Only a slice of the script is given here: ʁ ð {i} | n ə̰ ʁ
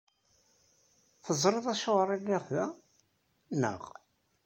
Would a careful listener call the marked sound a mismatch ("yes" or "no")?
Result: yes